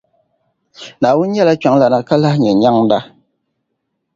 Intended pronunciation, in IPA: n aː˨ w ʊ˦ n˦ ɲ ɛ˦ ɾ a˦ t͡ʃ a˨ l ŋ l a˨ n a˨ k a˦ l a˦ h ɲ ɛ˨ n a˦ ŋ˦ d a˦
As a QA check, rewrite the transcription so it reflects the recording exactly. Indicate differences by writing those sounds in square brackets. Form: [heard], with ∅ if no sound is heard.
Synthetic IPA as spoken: n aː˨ w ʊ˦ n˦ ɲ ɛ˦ [l] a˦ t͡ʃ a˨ [∅] ŋ l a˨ n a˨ k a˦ l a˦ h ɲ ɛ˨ [ɲ] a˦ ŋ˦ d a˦